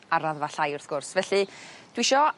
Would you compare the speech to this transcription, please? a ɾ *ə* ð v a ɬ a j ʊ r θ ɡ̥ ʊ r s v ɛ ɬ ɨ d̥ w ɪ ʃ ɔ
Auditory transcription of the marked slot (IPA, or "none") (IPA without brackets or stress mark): a